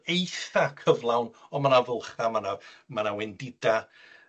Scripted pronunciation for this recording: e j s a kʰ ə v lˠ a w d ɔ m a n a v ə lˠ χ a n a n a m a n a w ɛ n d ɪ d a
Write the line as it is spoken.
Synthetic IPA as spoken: e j θ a kʰ ə v lˠ a w n ɔ m a n a v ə lˠ χ a m a n a m a n a w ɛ n d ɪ d a